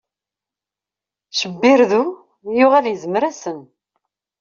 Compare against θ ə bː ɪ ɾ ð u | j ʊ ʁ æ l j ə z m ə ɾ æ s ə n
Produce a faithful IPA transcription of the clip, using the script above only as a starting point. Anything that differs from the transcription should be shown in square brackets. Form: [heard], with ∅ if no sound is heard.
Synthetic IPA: [ʃ] ə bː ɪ ɾ ð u | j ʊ ʁ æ l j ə z m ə ɾ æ s ə n